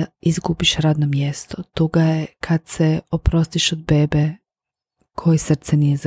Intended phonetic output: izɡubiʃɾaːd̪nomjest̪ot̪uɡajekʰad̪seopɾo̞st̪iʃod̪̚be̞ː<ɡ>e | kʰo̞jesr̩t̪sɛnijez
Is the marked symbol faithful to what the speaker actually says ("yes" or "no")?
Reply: no